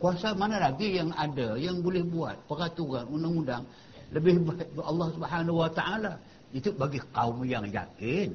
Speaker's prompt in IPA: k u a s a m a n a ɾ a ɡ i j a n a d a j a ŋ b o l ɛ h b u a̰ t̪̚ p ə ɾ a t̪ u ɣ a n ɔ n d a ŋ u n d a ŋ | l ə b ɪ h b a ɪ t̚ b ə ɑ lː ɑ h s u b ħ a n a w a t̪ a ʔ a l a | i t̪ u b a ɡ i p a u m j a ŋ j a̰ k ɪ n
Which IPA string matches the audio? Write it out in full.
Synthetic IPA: k u a s a m a n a l a ɡ i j a ŋ a d a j a ŋ b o l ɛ h b u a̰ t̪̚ p ə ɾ a t̪ u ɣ a n u n d a ŋ u n d a ŋ | l ə b ɪ h b a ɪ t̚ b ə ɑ lː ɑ h s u b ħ a n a w a t̪ a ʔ a l a | i t̪ u b a ɡ i k a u m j a ŋ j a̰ k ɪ n